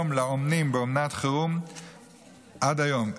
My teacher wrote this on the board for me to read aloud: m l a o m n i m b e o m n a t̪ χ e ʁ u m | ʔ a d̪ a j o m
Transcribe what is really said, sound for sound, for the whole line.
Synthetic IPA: m l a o m n i m b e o m n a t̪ χ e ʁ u m | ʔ a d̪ a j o m